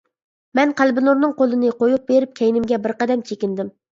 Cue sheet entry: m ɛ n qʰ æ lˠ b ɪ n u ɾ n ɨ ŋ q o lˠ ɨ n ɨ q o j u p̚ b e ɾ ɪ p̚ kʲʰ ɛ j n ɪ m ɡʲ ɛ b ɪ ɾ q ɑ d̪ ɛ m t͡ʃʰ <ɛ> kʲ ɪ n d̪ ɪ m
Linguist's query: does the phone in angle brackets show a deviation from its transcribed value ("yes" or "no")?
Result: yes